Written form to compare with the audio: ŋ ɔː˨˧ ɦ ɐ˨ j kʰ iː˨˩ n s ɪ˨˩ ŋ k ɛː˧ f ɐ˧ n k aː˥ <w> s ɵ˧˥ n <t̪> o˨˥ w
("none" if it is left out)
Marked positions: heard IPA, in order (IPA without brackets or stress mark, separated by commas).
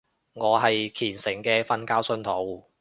w, t̪ʰ